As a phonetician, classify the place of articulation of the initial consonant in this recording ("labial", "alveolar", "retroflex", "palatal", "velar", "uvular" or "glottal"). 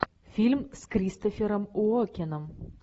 labial